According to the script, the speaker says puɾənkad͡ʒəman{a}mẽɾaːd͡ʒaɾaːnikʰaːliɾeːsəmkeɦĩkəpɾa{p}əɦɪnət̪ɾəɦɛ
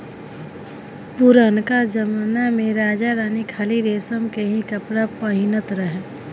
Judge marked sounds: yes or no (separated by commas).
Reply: yes, yes